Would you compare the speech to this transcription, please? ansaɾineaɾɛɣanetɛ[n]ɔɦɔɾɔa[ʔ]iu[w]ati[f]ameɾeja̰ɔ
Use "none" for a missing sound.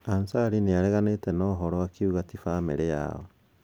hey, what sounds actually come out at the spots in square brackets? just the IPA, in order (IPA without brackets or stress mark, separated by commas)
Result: n, k, ɣ, f